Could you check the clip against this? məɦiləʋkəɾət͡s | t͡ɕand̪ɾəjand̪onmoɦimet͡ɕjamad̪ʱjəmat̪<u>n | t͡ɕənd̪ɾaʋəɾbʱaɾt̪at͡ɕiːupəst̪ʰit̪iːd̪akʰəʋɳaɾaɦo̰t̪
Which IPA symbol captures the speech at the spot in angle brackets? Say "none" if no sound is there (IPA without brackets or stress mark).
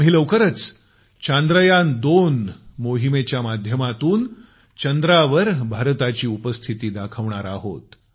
uː